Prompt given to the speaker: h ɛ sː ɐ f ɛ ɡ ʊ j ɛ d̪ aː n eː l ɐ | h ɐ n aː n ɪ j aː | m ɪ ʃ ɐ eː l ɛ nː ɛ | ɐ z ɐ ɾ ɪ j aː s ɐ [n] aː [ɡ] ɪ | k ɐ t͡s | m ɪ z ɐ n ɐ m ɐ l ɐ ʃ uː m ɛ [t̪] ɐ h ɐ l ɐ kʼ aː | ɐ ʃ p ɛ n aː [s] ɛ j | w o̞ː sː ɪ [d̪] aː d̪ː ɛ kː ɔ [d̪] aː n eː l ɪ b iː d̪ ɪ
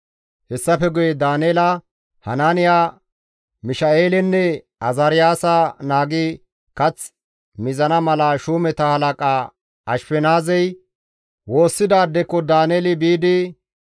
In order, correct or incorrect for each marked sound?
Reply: correct, correct, correct, incorrect, correct, correct

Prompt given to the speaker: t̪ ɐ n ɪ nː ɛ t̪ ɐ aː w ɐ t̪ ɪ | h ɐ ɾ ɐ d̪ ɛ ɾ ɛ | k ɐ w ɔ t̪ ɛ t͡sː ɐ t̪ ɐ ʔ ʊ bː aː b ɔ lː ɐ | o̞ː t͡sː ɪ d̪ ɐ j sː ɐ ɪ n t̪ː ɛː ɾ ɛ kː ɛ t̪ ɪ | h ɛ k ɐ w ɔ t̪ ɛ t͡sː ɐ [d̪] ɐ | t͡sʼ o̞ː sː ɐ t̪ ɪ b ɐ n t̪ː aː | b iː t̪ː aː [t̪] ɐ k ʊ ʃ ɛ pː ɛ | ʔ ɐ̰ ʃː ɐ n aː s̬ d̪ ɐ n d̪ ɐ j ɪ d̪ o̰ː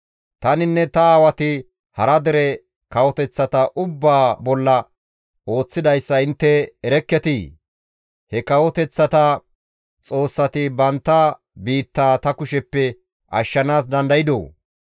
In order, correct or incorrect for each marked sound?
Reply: incorrect, correct

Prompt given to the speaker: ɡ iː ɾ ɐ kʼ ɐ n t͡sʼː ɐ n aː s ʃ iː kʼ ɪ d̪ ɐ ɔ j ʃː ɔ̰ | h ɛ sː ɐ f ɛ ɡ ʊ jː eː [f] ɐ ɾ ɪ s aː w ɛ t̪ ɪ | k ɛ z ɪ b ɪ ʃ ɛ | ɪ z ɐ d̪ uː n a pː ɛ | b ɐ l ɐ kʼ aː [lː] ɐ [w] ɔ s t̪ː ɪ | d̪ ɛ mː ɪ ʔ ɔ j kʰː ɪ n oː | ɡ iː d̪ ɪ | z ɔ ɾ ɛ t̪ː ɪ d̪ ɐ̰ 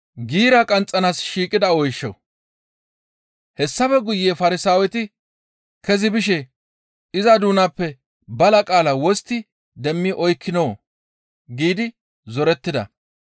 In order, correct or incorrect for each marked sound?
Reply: correct, incorrect, correct

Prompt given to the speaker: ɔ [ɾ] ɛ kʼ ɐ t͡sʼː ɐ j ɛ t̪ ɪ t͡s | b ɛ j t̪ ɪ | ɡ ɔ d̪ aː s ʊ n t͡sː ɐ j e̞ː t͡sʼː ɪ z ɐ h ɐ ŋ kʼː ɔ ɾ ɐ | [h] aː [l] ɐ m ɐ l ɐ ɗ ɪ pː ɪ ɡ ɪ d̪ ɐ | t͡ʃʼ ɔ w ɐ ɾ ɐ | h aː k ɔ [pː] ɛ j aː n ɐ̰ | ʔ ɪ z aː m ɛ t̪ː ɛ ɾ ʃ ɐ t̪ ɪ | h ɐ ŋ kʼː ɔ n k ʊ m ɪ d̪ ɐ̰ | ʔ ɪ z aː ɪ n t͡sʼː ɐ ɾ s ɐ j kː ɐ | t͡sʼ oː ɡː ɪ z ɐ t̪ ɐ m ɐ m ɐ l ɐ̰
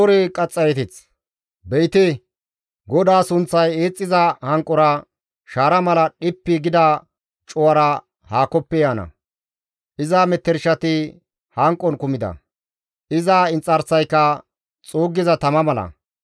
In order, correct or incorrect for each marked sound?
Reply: correct, incorrect, incorrect, correct

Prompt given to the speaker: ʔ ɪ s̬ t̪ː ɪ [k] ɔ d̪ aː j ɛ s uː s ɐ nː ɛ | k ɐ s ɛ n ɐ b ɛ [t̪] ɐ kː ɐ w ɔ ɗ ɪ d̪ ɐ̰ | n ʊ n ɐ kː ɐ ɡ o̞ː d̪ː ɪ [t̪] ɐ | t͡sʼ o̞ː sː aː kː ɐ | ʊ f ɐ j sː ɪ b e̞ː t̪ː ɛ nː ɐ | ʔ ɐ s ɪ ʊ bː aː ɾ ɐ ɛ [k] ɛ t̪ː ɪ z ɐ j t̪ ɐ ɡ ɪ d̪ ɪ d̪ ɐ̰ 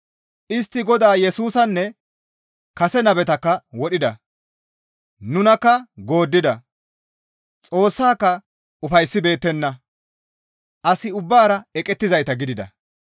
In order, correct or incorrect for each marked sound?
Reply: incorrect, correct, incorrect, incorrect

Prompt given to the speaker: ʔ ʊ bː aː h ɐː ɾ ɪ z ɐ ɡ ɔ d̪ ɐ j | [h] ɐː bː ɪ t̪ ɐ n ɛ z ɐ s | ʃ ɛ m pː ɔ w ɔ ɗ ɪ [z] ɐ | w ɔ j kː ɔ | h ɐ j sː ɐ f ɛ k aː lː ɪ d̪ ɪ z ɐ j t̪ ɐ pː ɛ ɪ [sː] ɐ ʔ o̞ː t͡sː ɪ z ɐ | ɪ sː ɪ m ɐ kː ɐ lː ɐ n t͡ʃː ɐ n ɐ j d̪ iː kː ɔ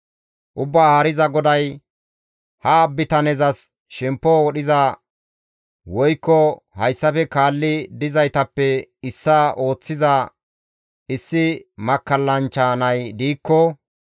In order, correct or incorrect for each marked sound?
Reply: correct, correct, correct

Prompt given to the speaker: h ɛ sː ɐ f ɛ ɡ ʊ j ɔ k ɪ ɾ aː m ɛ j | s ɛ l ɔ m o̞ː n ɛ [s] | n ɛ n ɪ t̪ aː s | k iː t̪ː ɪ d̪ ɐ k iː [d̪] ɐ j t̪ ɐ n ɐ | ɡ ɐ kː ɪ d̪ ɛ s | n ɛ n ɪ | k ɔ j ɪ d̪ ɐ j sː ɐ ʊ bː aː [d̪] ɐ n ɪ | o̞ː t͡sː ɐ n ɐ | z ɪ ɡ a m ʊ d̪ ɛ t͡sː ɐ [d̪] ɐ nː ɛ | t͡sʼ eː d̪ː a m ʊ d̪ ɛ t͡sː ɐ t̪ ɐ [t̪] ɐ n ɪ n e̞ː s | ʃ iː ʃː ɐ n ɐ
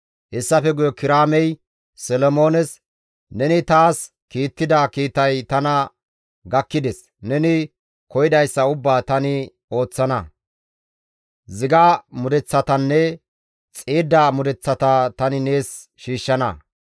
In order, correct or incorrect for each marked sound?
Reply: correct, incorrect, incorrect, incorrect, correct

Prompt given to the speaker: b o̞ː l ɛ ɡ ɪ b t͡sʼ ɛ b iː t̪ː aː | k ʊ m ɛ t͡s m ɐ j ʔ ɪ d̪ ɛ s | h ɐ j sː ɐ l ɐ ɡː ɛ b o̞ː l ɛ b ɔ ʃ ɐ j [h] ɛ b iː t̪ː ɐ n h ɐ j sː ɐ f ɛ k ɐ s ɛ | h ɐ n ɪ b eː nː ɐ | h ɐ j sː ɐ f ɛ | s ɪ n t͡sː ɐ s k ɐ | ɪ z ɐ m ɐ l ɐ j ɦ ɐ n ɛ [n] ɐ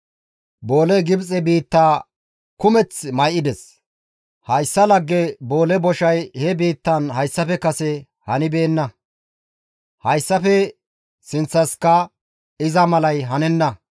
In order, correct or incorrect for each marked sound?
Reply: correct, incorrect

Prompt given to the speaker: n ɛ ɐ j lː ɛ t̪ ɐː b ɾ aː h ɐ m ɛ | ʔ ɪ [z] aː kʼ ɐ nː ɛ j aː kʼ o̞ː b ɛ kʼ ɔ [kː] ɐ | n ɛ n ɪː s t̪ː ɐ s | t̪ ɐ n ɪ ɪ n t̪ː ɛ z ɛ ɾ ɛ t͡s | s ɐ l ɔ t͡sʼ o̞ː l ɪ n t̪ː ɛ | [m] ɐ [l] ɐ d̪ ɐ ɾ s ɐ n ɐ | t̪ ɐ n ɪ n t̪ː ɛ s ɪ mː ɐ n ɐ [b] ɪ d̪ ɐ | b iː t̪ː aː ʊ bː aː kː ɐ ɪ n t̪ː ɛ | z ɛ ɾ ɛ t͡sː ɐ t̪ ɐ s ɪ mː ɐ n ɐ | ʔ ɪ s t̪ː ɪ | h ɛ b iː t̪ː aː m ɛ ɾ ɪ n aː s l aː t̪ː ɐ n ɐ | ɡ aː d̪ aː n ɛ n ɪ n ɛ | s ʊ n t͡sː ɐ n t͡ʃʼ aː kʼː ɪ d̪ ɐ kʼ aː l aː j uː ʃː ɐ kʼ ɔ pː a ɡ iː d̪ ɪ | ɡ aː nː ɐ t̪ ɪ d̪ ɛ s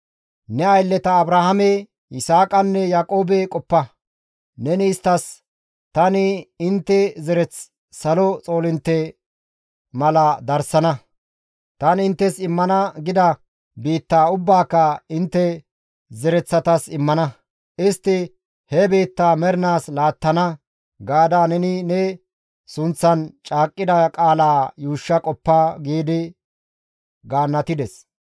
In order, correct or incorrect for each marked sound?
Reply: incorrect, incorrect, correct, correct, incorrect

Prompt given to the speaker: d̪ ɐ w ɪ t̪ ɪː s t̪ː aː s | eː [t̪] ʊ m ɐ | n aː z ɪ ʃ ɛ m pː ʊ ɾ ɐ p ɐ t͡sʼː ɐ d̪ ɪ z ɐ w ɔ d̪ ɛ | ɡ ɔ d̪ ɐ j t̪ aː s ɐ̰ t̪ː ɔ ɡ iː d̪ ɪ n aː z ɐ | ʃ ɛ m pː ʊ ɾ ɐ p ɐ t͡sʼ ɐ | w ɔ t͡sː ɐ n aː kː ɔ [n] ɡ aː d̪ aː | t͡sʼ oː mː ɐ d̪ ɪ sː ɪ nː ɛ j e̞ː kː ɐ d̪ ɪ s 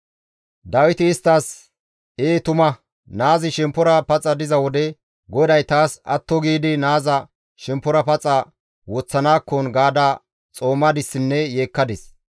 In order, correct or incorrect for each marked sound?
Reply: correct, correct

